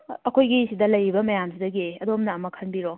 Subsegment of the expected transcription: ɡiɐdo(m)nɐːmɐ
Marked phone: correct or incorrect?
correct